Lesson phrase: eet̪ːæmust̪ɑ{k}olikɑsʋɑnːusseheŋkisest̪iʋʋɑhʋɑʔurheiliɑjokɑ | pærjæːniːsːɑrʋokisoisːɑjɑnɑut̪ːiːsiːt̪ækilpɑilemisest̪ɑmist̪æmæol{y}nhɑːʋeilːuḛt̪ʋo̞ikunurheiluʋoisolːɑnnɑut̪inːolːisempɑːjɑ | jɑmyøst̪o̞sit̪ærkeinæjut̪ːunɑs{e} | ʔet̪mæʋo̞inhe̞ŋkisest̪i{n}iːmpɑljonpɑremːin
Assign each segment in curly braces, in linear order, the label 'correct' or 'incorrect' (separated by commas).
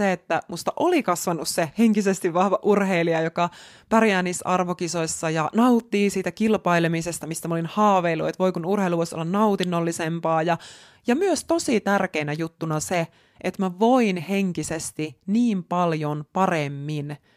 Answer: incorrect, incorrect, correct, correct